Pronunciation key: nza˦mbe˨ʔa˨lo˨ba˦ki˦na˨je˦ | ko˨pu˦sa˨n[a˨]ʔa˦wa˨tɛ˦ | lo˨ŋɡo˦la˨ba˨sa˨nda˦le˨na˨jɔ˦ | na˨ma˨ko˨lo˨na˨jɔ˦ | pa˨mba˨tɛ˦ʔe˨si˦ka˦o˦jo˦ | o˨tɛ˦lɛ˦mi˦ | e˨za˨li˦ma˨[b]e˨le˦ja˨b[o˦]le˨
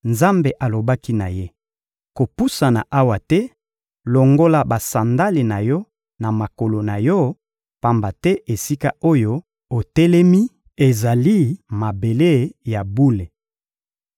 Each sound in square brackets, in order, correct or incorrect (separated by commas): correct, correct, incorrect